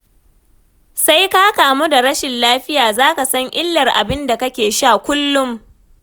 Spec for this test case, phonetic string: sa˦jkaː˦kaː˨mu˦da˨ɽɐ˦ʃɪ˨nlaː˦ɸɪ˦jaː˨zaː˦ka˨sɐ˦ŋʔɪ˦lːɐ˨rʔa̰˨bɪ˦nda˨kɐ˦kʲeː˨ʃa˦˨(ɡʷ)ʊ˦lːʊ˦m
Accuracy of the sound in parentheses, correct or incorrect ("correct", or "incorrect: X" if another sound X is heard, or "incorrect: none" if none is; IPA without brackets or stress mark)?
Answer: incorrect: kʷ